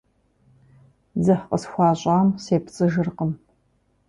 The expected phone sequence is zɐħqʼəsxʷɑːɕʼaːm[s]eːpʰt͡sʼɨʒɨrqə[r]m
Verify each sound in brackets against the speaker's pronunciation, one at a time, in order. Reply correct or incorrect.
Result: correct, incorrect: none

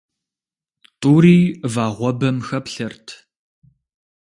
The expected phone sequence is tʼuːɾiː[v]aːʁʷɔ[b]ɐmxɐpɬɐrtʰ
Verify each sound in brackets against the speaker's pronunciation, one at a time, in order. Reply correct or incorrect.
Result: correct, correct

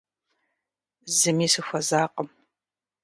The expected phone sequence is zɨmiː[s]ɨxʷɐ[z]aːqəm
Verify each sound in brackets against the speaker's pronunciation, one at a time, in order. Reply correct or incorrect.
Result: correct, correct

